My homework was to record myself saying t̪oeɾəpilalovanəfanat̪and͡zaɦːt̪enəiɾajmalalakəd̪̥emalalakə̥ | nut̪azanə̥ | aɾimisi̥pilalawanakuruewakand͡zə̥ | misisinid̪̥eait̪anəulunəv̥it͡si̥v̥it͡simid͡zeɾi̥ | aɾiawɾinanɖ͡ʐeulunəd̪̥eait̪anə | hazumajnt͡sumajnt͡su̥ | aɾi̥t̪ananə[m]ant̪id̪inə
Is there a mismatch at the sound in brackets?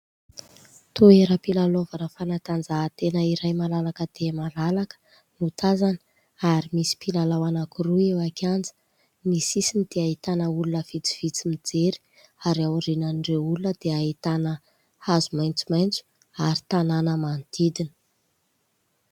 no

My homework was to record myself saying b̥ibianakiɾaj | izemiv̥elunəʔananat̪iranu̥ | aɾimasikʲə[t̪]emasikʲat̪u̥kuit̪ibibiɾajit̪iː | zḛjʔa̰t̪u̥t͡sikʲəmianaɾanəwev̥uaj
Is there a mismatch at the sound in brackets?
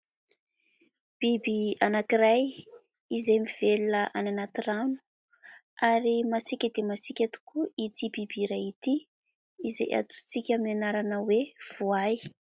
yes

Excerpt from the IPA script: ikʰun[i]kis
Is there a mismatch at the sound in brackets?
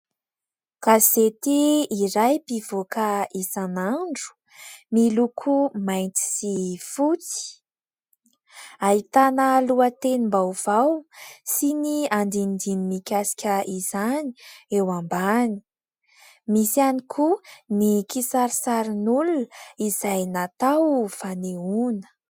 no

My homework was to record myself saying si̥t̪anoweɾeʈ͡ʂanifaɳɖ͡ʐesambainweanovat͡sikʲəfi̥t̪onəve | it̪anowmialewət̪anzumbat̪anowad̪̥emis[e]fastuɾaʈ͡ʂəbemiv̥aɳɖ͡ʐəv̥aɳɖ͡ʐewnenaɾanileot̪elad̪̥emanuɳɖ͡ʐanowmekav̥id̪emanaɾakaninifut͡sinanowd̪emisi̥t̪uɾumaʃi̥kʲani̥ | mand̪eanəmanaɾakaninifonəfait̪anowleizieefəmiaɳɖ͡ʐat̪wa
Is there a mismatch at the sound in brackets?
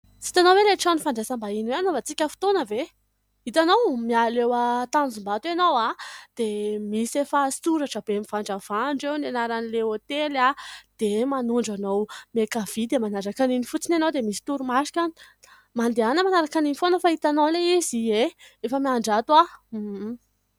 no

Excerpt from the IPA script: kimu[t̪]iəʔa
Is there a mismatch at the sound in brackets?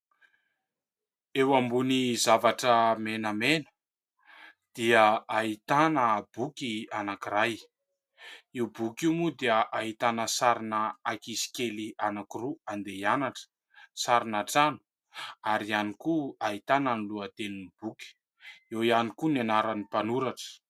yes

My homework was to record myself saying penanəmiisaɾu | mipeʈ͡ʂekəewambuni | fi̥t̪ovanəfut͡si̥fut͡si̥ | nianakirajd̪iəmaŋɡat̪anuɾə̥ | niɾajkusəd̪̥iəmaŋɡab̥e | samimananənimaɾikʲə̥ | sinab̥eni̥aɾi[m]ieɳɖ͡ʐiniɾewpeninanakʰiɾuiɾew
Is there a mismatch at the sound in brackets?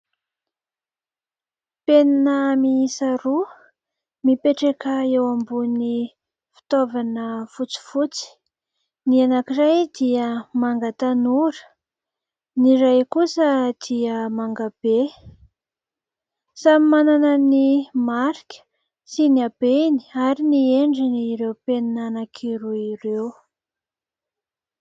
yes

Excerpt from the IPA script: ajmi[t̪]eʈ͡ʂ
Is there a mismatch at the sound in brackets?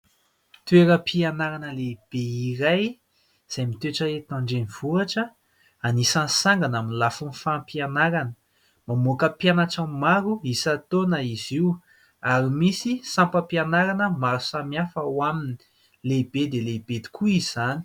no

